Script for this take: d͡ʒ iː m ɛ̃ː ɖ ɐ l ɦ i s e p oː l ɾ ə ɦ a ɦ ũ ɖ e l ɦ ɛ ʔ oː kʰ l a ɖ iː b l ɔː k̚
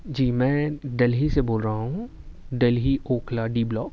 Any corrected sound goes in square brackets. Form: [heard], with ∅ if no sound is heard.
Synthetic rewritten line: d͡ʒ iː m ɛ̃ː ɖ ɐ l ɦ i s e [b] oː l ɾ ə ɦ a ɦ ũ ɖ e l ɦ [i] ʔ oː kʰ l a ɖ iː b l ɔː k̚